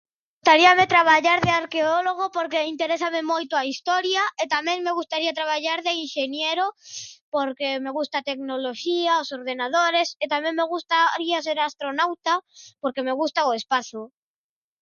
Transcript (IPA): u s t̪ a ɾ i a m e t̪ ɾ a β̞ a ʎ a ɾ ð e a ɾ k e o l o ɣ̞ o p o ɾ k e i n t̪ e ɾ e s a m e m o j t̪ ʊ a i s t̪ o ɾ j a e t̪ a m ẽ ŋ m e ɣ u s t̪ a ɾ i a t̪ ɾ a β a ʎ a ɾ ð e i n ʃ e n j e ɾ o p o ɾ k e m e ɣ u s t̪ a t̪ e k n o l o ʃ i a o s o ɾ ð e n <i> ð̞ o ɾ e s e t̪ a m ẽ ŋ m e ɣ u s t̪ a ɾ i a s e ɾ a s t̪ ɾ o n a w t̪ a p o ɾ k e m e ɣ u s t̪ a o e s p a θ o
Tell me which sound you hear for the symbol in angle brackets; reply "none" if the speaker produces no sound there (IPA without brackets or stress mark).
a